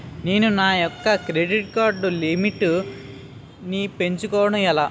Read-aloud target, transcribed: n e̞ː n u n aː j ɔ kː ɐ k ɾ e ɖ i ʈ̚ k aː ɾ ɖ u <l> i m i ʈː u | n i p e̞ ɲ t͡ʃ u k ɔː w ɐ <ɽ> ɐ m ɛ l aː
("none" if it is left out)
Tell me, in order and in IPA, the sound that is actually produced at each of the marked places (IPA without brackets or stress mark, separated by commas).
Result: l, ɽ